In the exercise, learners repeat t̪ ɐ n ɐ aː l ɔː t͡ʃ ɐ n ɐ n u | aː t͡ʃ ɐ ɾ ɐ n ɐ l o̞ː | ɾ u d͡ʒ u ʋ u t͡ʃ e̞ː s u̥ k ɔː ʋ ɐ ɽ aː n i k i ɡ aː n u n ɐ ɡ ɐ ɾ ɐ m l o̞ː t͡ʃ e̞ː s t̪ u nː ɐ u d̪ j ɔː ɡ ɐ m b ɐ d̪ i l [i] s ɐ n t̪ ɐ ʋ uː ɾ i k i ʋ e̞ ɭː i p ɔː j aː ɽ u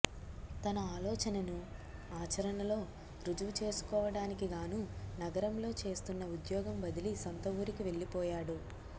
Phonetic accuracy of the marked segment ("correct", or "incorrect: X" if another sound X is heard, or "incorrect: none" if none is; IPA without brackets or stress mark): correct